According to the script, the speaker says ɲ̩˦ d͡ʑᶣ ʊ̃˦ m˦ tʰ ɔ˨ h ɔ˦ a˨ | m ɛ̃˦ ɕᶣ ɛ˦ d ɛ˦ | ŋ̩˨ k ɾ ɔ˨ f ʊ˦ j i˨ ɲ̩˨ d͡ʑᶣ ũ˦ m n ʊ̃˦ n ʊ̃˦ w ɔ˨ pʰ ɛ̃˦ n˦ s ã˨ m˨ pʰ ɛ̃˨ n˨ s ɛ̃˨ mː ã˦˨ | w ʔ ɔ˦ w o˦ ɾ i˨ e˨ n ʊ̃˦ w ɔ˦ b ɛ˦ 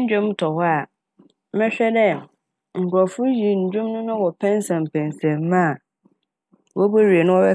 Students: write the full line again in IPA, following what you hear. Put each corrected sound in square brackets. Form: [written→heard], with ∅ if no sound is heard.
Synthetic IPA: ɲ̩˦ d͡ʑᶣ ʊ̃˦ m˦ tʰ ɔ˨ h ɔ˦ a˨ | m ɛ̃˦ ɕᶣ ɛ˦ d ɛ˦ | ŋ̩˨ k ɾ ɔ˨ f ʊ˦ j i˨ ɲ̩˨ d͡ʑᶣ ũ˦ m n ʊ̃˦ n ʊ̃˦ w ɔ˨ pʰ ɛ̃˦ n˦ s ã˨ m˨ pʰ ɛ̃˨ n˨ s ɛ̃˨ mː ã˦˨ | w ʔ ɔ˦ [w→b] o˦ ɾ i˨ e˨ n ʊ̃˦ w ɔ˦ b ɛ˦